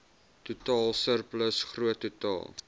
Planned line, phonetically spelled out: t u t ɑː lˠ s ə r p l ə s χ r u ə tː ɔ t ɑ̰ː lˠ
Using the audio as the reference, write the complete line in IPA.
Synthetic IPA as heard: t u t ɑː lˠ s ə r p l ə s χ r u ə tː u t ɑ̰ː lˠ